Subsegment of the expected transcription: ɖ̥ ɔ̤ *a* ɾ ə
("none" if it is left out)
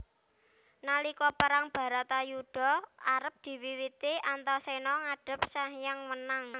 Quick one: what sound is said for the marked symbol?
a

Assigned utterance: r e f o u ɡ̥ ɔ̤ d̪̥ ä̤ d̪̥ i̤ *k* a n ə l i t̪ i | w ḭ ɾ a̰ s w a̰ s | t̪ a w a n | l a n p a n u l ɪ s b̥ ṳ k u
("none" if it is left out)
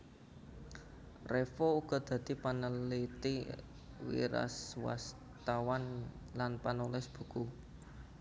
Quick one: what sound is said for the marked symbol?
p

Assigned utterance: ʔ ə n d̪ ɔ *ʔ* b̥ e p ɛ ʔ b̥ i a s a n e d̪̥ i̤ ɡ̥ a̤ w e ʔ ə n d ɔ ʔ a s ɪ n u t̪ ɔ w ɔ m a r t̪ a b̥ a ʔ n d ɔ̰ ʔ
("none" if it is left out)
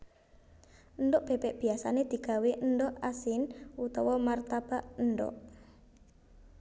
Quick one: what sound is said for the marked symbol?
ʔ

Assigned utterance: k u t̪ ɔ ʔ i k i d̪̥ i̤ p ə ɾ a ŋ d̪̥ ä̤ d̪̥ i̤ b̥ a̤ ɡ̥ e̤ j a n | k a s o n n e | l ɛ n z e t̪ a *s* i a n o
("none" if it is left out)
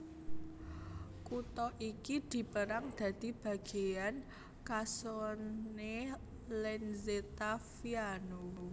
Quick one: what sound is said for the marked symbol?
f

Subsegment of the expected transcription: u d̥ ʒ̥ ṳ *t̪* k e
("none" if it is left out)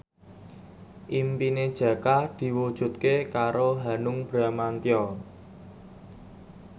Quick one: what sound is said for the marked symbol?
t̪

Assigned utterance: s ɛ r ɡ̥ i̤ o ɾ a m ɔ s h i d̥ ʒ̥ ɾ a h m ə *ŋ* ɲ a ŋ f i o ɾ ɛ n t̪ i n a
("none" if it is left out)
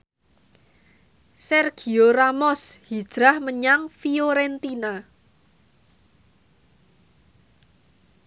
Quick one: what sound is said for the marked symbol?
none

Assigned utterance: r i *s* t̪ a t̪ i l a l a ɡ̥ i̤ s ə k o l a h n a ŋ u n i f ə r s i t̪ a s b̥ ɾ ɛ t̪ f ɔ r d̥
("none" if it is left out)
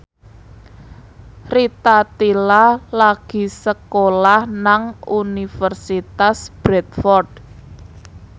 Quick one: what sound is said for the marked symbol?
none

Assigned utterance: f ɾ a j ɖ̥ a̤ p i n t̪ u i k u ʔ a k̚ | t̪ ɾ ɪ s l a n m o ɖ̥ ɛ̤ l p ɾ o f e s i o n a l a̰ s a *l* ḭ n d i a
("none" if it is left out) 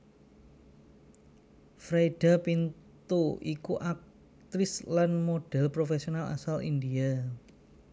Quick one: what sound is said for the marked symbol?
l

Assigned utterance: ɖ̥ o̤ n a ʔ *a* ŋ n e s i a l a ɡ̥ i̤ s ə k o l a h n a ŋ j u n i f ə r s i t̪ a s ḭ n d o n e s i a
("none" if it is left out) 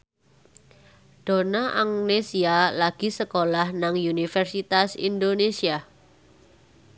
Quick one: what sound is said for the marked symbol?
a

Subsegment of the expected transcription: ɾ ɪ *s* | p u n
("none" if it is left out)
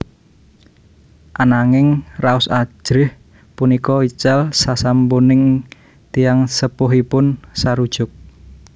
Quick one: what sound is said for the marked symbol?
h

